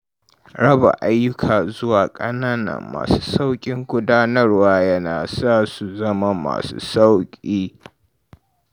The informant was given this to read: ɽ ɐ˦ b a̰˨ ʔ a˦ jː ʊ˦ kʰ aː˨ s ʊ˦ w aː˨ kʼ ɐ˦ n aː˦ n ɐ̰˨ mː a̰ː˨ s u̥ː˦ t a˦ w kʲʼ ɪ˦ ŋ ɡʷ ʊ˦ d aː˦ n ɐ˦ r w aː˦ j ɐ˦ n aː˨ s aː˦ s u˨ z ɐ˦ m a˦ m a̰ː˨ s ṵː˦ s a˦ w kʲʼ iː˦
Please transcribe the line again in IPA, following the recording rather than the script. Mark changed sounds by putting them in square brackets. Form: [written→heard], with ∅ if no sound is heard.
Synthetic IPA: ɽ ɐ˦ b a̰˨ ʔ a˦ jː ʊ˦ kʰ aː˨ [s→z] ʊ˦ w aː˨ kʼ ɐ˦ n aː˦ n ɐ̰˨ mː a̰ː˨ s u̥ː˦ [t→s] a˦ w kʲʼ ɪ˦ ŋ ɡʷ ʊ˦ d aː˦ n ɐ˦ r w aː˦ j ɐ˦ n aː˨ s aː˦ s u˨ z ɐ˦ m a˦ m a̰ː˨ s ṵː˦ s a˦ w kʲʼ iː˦